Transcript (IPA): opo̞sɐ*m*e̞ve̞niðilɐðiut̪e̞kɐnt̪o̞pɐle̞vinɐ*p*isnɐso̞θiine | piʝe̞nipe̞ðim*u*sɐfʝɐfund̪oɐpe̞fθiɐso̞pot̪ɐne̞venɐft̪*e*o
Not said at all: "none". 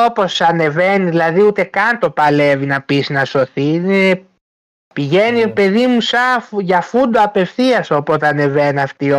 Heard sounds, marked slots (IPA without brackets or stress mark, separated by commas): n, p, u, i